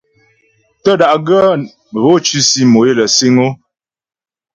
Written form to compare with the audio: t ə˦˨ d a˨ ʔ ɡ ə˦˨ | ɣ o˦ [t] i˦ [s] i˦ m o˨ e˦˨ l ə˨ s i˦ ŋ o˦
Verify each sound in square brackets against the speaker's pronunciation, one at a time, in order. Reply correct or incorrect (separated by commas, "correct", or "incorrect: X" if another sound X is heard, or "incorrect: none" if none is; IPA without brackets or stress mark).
incorrect: t͡ʃ, correct